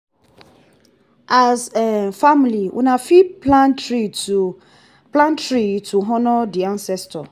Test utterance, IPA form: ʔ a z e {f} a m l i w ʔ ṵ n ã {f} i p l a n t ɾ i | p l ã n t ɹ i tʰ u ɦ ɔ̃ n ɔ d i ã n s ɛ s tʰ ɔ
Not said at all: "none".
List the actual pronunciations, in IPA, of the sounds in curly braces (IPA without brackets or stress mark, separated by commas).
f, f